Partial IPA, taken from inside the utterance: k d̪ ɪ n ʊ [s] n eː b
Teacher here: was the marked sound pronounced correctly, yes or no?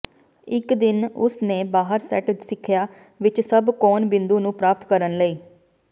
yes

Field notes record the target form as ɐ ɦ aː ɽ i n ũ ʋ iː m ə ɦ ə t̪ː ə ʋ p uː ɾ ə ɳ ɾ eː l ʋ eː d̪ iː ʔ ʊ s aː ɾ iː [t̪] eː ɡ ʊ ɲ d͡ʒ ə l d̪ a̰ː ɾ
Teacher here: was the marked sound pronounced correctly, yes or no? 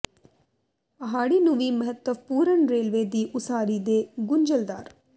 no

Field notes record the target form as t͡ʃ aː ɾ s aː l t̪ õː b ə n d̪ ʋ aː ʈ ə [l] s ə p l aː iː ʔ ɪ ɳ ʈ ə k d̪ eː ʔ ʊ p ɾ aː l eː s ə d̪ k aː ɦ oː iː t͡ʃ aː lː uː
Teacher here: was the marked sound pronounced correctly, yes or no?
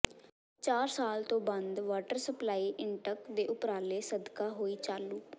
no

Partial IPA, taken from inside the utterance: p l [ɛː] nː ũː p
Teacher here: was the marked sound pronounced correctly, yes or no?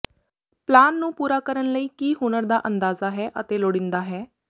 no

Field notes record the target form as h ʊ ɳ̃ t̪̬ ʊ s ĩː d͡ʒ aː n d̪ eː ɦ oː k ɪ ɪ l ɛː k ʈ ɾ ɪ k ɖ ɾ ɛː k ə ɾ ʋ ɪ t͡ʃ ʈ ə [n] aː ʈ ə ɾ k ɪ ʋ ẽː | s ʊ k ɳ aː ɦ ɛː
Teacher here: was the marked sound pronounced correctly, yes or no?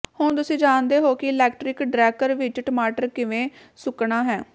no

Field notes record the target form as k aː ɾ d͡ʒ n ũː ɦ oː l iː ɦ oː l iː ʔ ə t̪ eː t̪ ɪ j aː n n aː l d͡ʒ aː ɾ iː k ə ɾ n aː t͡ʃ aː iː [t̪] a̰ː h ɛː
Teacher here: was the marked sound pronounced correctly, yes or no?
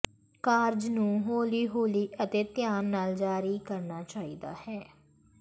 no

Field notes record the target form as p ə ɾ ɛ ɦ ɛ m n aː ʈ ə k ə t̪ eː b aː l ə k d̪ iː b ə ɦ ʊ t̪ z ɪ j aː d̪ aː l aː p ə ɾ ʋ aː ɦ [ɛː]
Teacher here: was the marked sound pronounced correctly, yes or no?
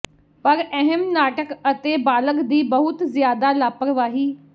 no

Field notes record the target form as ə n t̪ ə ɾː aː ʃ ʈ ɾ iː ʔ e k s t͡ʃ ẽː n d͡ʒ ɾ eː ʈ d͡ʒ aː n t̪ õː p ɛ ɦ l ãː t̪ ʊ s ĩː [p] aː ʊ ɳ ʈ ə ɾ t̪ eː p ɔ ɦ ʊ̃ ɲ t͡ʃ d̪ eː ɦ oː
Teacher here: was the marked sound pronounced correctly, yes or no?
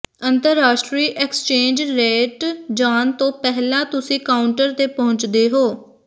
no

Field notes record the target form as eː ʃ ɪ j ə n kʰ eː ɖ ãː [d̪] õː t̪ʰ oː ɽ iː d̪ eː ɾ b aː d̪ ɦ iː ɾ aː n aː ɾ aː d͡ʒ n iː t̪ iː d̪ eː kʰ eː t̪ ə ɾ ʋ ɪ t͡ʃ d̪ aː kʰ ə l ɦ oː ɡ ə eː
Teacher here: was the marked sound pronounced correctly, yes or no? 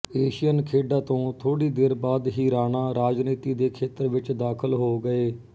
no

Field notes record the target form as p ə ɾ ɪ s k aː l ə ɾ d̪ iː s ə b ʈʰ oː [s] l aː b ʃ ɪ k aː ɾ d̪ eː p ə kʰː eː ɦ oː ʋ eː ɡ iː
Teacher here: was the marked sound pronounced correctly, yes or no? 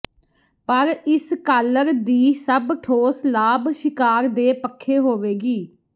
yes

